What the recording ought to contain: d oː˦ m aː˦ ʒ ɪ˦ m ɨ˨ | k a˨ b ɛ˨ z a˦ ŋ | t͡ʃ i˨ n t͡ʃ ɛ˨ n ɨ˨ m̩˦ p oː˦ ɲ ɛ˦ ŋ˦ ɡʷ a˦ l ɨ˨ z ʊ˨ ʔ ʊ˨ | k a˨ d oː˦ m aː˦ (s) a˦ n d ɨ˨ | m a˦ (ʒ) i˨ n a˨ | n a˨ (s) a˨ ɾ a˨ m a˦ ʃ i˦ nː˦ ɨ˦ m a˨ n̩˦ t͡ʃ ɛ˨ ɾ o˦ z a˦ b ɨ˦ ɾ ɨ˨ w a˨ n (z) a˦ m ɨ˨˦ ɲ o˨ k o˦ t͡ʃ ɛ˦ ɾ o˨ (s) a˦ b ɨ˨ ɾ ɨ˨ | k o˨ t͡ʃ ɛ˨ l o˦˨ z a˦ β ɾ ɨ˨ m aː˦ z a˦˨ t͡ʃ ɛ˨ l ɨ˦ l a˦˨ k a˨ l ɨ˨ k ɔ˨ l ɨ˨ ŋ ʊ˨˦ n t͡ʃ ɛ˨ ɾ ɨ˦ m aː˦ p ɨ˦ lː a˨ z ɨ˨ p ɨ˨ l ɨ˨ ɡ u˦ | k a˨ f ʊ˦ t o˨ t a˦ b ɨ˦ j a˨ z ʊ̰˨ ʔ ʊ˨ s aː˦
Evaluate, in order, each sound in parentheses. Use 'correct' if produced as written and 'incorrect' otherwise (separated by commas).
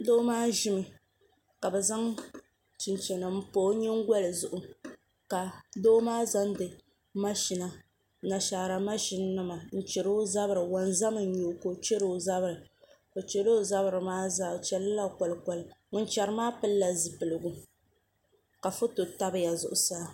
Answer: incorrect, incorrect, incorrect, correct, incorrect